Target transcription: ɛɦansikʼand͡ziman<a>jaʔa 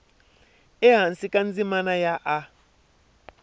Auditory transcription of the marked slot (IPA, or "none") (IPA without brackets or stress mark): a